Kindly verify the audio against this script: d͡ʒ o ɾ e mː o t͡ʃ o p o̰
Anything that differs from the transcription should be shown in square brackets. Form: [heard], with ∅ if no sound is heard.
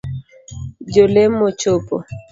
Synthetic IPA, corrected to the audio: d͡ʒ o [l] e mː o t͡ʃ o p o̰